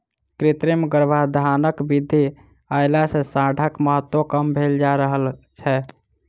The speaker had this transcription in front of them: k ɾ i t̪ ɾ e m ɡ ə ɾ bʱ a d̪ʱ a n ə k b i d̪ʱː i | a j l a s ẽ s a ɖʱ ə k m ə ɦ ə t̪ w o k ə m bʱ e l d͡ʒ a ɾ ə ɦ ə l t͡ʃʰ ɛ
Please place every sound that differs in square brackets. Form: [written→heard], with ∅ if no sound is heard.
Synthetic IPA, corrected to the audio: k ɾ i t̪ ɾ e m ɡ ə ɾ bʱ a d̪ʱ a n ə k b i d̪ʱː i | a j l a s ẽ s a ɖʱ ə k m ə ɦ ə t̪ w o k ə m bʱ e l d͡ʒ a ɾ ə ɦ ə l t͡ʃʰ ɛ